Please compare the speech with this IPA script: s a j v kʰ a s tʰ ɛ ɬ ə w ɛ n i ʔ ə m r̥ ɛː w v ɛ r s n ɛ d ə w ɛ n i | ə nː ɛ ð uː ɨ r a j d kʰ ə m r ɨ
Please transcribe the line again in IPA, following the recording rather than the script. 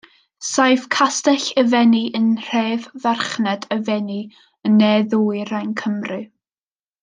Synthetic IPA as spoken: s a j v kʰ a s t ɛ ɬ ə v ɛ n i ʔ ə n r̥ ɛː v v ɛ r χ n ɛ d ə v ɛ n i | ə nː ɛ ð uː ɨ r a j n kʰ ə m r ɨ

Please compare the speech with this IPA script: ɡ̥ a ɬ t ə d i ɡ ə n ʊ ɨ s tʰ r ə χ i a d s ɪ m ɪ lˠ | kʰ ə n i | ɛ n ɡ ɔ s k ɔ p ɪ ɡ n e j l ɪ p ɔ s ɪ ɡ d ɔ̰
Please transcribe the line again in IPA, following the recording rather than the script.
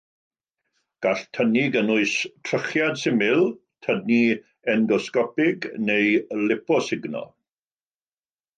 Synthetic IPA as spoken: ɡ̥ a ɬ tʰ ə n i ɡ ə n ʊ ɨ s tʰ r ə χ j a d s ɪ m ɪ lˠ | tʰ ə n i | ɛ n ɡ ɔ s k ɔ p ɪ ɡ n e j l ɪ p ɔ s ɪ ɡ n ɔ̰

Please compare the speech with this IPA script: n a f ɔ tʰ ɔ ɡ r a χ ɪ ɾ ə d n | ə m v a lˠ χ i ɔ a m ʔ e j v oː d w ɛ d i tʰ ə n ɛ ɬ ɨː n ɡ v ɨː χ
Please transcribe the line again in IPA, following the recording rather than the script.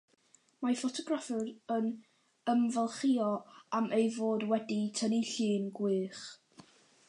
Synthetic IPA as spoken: m a f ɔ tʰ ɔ ɡ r a f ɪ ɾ ə n | ə m v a lˠ χ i ɔ a m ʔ e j v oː d w ɛ d i tʰ ə n i ɬ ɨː n ɡ w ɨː χ

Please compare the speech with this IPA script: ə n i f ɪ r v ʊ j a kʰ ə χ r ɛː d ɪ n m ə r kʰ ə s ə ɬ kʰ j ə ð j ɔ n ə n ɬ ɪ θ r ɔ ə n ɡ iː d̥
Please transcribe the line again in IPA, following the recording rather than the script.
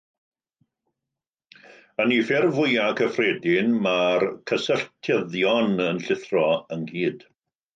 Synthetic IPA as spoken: ə n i f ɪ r v ʊ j a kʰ ə f r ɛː d ɪ n m a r kʰ ə s ə ɬ tʰ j ə ð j ɔ n ə n ɬ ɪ θ r ɔ ə n ɡ iː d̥

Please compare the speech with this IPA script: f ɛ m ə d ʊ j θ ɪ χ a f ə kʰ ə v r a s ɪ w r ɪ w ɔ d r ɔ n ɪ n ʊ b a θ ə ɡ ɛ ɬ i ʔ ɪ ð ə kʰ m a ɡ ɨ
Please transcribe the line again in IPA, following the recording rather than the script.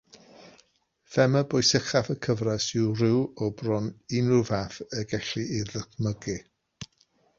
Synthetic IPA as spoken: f ɛ m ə b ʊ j s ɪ χ a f ə kʰ ə v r a s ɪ w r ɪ w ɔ b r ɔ n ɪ n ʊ v a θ ə ɡ ɛ ɬ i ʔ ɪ ð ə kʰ m ə ɡ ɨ

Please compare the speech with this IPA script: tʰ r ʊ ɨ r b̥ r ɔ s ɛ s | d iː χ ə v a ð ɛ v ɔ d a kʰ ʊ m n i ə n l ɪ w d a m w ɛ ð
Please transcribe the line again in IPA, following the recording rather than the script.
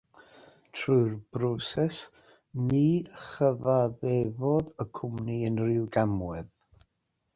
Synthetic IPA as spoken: tʰ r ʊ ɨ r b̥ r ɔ s ɛ s | n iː χ ə v a ð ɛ v ɔ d ə kʰ ʊ m n i ə n r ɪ w ɡ a m w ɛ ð

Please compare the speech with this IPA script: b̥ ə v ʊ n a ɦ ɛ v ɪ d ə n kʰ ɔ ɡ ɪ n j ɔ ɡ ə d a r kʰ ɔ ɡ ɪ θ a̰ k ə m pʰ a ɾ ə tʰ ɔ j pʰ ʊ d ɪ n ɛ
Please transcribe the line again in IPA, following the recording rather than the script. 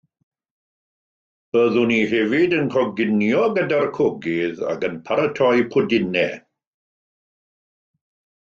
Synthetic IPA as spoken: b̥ ə ð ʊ n i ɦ ɛ v ɪ d ə n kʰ ɔ ɡ ɪ n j ɔ ɡ ə d a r kʰ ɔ ɡ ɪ ð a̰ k ə n pʰ a ɾ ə tʰ ɔ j pʰ ʊ d ɪ n ɛ

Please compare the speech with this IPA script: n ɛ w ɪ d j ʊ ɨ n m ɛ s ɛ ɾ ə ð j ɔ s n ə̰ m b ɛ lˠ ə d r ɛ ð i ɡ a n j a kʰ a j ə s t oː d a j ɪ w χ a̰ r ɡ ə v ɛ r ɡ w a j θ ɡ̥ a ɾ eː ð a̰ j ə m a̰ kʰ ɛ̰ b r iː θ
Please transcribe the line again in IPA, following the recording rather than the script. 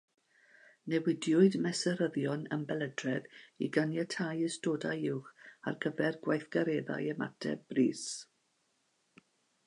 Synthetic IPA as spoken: n ɛ w ɪ d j ʊ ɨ d m ɛ s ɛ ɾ ə ð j ɔ n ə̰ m b ɛ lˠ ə d r ɛ ð i ɡ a n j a tʰ a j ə s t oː d a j ɪ w χ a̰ r ɡ ə v ɛ r ɡ w a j θ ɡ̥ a ɾ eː ð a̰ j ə m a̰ tʰ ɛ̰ b r iː s

